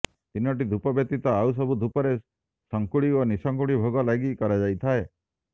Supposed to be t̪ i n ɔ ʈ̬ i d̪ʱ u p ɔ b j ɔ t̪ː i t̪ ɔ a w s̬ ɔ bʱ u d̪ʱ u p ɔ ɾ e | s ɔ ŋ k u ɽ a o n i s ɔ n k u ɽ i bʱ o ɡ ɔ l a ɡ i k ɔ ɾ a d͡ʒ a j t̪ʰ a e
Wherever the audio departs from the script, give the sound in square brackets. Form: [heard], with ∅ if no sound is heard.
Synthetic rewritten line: t̪ i n ɔ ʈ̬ i d̪ʱ u p ɔ b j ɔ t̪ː i t̪ ɔ a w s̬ ɔ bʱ u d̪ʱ u p ɔ ɾ e | s ɔ ŋ k u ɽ [i] o n i s ɔ [ŋ] k u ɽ i bʱ o ɡ ɔ l a ɡ i k ɔ ɾ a d͡ʒ a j t̪ʰ a e